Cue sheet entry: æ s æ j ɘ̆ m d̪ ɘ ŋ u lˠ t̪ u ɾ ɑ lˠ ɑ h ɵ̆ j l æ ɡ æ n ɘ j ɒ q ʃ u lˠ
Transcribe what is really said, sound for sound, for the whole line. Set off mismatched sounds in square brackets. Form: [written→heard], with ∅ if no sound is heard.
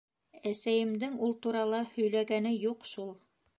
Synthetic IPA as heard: æ s æ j ɘ̆ m d̪ ɘ ŋ u lˠ t̪ u ɾ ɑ lˠ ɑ h ɵ̆ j l æ ɡ æ n ɘ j [ɒ→u] q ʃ u lˠ